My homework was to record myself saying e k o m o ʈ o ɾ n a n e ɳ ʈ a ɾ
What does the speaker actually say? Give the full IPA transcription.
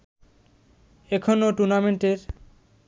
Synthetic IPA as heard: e kʰ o n o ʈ u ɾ n a m e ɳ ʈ e ɾ